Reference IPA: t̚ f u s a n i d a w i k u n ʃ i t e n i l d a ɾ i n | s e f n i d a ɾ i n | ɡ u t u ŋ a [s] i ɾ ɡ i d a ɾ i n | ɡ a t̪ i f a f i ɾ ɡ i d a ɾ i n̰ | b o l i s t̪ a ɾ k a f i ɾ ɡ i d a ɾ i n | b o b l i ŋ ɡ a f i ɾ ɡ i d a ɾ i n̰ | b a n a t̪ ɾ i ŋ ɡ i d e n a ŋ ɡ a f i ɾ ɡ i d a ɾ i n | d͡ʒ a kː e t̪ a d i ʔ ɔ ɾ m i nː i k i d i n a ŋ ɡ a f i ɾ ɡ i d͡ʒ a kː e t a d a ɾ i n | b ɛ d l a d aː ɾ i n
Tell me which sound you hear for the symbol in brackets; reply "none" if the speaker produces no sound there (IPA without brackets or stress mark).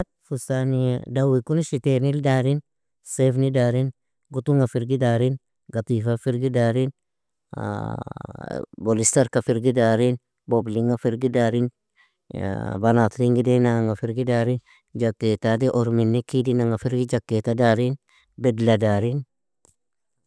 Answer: f